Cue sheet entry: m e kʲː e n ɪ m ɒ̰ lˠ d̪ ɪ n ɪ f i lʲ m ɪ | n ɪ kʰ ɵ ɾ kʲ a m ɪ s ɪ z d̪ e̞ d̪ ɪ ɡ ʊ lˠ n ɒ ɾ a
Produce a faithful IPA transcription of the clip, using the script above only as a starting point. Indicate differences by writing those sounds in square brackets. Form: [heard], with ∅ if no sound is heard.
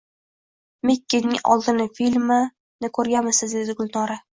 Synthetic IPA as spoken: m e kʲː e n ɪ [ŋ] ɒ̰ lˠ d̪ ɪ n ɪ f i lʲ m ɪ | n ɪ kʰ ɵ ɾ [ɡʲ] a m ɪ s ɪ z d̪ e̞ d̪ ɪ ɡ ʊ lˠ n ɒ ɾ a